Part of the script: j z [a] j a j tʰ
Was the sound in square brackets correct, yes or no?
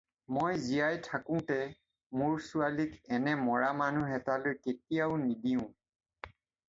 no